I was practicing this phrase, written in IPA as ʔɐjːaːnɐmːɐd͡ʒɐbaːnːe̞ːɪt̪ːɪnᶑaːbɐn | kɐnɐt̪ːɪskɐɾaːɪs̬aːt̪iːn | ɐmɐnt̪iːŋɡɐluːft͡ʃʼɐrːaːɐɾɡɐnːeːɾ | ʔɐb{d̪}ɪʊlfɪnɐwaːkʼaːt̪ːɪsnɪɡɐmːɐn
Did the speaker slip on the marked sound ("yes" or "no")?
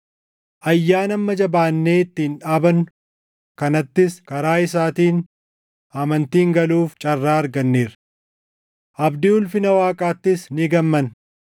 no